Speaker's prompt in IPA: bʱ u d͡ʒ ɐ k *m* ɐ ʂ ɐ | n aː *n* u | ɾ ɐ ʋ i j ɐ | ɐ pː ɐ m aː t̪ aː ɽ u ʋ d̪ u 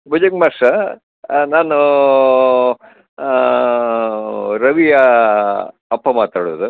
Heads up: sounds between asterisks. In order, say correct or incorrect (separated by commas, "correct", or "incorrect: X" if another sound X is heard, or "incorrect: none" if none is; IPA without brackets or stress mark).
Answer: correct, correct